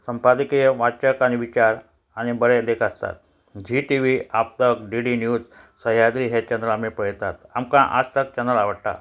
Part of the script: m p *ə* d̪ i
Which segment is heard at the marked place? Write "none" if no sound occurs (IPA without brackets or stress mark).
a